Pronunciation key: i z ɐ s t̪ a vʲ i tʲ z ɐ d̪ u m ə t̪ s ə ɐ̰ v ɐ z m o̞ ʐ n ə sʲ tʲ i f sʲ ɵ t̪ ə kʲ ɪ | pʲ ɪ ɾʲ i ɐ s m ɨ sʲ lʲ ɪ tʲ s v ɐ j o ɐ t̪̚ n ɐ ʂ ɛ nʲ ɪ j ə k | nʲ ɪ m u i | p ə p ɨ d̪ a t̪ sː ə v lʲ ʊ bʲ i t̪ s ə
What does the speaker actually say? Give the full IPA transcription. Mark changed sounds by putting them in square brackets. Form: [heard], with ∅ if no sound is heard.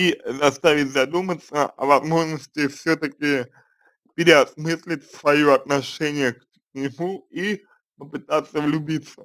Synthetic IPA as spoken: i z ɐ s t̪ a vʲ [ɪ] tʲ z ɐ d̪ u m ə t̪ s ə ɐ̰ v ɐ z m o̞ ʐ n ə sʲ tʲ [ɪ] f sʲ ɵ t̪ ə kʲ ɪ | pʲ ɪ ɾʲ [ɪ] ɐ s m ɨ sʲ lʲ ɪ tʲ s v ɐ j o ɐ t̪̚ n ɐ ʂ ɛ nʲ ɪ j ə k | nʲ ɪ m u i | p ə p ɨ [t̪] a t̪ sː ə v lʲ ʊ bʲ i t̪ s ə